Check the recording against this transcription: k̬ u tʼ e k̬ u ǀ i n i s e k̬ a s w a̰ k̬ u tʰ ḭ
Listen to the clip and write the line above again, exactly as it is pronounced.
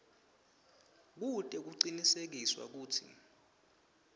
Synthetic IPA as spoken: k̬ u tʼ ɛ k̬ u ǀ i n i s e k̬ i s w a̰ k̬ uː tʰ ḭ